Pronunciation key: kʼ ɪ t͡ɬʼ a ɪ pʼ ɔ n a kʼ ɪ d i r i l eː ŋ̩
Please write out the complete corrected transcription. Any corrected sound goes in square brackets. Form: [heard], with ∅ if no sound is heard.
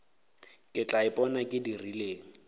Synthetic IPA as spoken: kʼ ɪ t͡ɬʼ a ɪ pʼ ɔ n a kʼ ɪ d i r i l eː ŋ̩